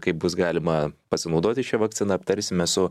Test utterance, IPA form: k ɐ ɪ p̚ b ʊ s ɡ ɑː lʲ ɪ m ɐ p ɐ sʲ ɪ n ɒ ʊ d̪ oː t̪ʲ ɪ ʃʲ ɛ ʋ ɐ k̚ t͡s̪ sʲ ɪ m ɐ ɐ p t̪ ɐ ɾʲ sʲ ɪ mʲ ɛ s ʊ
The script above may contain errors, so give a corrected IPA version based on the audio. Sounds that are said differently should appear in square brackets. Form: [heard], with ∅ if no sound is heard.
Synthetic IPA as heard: k ɐ ɪ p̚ b ʊ s ɡ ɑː lʲ ɪ m ɐ p ɐ sʲ ɪ n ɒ ʊ d̪ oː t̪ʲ ɪ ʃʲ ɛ ʋ ɐ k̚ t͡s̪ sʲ ɪ [n] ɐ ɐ p t̪ ɐ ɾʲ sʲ ɪ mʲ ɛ s ʊ